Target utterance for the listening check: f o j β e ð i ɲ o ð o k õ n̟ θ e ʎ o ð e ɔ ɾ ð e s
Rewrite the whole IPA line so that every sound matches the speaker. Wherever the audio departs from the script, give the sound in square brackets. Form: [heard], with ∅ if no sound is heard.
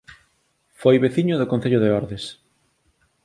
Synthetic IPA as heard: f o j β e [θ] i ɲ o ð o k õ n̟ θ e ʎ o ð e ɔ ɾ ð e s